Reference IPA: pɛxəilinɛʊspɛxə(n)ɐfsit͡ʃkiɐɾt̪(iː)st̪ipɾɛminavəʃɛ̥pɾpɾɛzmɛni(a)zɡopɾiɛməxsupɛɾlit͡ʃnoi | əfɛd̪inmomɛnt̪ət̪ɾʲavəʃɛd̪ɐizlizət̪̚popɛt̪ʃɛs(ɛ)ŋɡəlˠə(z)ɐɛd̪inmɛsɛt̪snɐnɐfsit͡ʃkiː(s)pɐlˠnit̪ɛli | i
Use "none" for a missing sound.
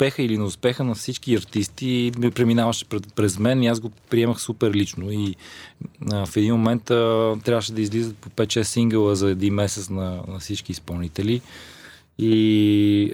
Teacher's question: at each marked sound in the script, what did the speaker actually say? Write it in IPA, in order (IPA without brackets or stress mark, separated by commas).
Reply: n, i, a, i, z, s